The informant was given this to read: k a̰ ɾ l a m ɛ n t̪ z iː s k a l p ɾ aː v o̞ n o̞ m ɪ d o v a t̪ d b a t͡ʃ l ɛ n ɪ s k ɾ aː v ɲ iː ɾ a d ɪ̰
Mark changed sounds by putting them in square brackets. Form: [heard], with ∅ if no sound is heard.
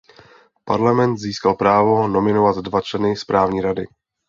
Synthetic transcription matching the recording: [p] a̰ ɾ l a m ɛ n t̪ z iː s k a l p ɾ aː v o̞ n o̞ m ɪ [n] o v a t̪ d [v] a t͡ʃ l ɛ n ɪ s [p] ɾ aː v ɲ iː ɾ a d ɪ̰

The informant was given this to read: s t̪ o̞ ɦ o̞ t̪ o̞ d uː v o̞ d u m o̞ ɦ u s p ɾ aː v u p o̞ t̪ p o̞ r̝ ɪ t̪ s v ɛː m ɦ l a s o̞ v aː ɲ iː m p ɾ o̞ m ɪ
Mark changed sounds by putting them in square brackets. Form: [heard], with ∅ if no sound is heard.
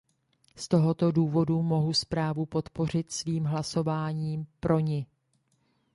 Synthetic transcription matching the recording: s t̪ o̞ ɦ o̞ t̪ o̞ d uː v o̞ d u m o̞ ɦ u s p ɾ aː v u p o̞ t̪ p o̞ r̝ ɪ t̪ s v [iː] m ɦ l a s o̞ v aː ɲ iː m p ɾ o̞ [ɲ] ɪ

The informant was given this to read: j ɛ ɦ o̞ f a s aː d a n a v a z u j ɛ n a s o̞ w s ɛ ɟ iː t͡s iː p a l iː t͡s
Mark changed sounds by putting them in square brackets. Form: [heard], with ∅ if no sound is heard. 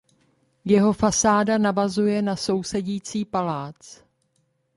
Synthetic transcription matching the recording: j ɛ ɦ o̞ f a s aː d a n a v a z u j ɛ n a s o̞ w s ɛ ɟ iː t͡s iː p a l [aː] t͡s

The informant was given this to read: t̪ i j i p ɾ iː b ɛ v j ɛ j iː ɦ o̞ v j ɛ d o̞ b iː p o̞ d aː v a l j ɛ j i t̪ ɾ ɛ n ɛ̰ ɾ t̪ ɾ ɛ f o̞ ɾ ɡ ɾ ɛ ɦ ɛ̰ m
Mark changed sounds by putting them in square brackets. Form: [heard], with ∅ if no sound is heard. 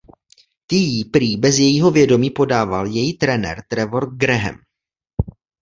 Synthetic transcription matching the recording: t̪ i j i p ɾ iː b ɛ [z] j ɛ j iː ɦ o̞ v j ɛ d o̞ [m] iː p o̞ d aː v a l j ɛ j i t̪ ɾ ɛ n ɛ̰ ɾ t̪ ɾ ɛ [v] o̞ ɾ ɡ ɾ ɛ ɦ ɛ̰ m

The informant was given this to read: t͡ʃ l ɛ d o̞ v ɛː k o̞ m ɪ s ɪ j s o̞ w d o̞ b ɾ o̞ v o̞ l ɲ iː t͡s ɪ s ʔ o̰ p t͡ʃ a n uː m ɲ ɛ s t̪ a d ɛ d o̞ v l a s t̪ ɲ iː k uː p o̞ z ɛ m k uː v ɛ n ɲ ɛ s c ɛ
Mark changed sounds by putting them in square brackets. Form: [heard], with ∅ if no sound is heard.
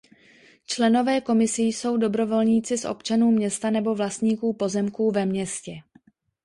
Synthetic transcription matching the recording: t͡ʃ l ɛ [n] o̞ v ɛː k o̞ m ɪ s ɪ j s o̞ w d o̞ b ɾ o̞ v o̞ l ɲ iː t͡s ɪ s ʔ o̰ p t͡ʃ a n uː m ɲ ɛ s t̪ a [n] ɛ [b] o̞ v l a s t̪ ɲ iː k uː p o̞ z ɛ m k uː v ɛ [m] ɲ ɛ s c ɛ

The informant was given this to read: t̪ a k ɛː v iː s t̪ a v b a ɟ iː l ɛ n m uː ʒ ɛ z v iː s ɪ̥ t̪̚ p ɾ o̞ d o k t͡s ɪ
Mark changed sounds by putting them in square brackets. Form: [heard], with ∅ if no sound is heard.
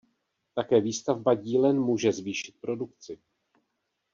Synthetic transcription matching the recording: t̪ a k ɛː v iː s t̪ a v b a ɟ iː l ɛ n m uː ʒ ɛ z v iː [ʃ] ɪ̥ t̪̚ p ɾ o̞ d [u] k t͡s ɪ

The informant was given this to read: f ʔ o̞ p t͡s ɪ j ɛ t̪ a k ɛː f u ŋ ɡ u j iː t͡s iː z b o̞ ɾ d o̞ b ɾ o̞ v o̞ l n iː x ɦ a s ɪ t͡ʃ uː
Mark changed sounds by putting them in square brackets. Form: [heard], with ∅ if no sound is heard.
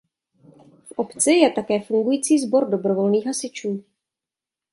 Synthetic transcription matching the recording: f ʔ o̞ p t͡s ɪ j ɛ t̪ a k ɛː f u ŋ ɡ u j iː t͡s iː z b o̞ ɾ d o̞ b ɾ o̞ v o̞ l n iː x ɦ a s ɪ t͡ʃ uː

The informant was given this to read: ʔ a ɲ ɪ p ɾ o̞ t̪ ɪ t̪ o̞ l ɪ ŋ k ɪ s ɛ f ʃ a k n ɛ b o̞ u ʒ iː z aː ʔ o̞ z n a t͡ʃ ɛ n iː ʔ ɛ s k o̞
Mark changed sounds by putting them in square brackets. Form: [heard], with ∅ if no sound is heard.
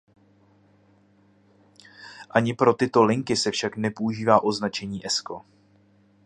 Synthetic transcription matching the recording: ʔ a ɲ ɪ p ɾ o̞ t̪ ɪ t̪ o̞ l ɪ ŋ k ɪ s ɛ f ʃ a k n ɛ [p] o̞ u ʒ iː [v] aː ʔ o̞ z n a t͡ʃ ɛ [ɲ] iː ʔ ɛ s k o̞

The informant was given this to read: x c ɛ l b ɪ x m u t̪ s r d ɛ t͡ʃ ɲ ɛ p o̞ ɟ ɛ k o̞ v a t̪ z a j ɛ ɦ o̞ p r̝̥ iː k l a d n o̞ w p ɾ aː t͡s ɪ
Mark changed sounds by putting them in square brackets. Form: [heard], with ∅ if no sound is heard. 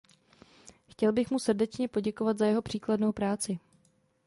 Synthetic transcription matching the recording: x c ɛ l b ɪ x m u [∅] s r d ɛ t͡ʃ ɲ ɛ p o̞ ɟ ɛ k o̞ v a t̪ z a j ɛ ɦ o̞ p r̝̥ iː k l a d n o̞ w p ɾ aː t͡s ɪ

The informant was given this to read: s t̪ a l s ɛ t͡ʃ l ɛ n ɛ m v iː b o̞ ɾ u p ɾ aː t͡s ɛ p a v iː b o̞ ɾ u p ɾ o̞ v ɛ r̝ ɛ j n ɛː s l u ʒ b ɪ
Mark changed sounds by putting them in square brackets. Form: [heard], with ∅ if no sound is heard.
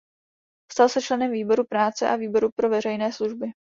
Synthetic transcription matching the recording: s t̪ a l s ɛ t͡ʃ l ɛ n ɛ m v iː b o̞ ɾ u p ɾ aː t͡s ɛ [ʔ] a v iː b o̞ ɾ u p ɾ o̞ v ɛ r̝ ɛ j n ɛː s l u ʒ b ɪ

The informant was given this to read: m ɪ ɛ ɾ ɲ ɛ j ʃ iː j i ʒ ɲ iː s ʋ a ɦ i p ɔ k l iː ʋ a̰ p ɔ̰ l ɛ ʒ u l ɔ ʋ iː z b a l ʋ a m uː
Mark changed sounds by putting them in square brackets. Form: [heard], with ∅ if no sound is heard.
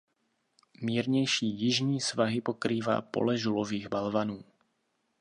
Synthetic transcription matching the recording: m ɪ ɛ ɾ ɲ ɛ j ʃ iː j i ʒ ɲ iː s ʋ a ɦ i p ɔ k [ɾ] iː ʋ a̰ p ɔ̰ l ɛ ʒ u l ɔ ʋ iː [ɣ] b a l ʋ a [n] uː

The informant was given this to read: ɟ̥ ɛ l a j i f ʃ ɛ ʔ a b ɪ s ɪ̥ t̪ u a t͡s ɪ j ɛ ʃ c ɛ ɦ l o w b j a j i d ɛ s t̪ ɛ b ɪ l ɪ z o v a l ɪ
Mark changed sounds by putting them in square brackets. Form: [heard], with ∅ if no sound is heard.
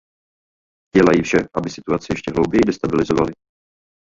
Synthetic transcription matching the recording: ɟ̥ ɛ l a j i f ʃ ɛ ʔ a b ɪ s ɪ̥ t̪ u a t͡s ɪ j ɛ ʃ c ɛ ɦ l o w b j [ɛ] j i d ɛ s t̪ [a] b ɪ l ɪ z o v a l ɪ

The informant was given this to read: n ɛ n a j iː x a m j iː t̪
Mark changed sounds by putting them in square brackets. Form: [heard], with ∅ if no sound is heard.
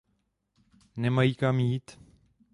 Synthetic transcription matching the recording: n ɛ [m] a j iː [k] a m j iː t̪

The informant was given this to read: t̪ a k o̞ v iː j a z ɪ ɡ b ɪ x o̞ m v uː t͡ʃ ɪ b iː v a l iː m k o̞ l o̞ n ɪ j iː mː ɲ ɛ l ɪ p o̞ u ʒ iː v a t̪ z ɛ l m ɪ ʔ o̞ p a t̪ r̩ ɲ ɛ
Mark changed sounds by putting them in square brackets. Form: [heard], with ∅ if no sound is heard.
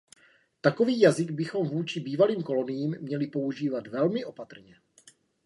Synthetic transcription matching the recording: t̪ a k o̞ v iː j a z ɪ ɡ b ɪ x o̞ m v uː t͡ʃ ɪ b iː v a l iː m k o̞ l o̞ n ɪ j iː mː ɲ ɛ l ɪ p o̞ u ʒ iː v a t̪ [v] ɛ l m ɪ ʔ o̞ p a t̪ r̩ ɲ ɛ

